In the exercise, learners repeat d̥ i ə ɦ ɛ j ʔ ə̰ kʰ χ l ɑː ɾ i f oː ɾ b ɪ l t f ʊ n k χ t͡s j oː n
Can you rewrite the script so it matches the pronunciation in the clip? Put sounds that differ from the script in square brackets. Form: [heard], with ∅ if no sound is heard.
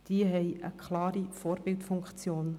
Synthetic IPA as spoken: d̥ i ə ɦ ɛ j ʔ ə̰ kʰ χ l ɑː ɾ i f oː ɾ b ɪ l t f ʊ [ŋ] k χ t͡s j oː n